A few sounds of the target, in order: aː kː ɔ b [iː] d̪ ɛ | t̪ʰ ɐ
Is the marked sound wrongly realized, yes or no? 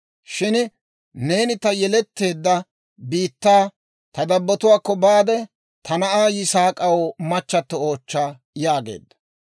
yes